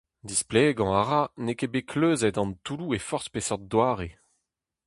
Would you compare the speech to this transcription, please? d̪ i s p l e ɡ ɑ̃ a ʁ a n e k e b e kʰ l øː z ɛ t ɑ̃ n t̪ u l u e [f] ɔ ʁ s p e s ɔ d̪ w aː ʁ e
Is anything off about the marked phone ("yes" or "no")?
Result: no